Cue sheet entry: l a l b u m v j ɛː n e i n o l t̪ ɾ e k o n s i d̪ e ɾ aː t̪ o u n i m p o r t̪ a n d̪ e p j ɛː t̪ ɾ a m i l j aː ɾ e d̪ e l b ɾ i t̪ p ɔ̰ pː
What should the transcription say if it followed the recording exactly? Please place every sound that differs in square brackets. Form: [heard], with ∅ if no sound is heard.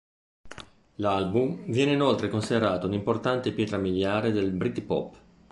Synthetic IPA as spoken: l a l b u m v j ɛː n e i n o l t̪ ɾ e k o n s i d̪ e ɾ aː t̪ o u n i m p o r t̪ a n [t̪] e p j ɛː t̪ ɾ a m i l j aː ɾ e d̪ e l b ɾ i t̪ p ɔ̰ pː